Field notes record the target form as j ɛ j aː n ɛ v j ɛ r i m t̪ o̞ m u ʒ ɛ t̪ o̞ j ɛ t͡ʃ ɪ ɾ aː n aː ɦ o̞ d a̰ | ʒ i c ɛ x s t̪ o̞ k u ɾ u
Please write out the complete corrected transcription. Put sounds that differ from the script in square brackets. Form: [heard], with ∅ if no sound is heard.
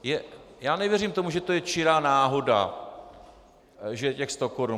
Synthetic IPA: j ɛ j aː n ɛ v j ɛ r i m t̪ o̞ m u ʒ ɛ t̪ o̞ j ɛ t͡ʃ ɪ ɾ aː n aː ɦ o̞ d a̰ | ʒ [ɛ] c ɛ x s t̪ o̞ k [o] ɾ u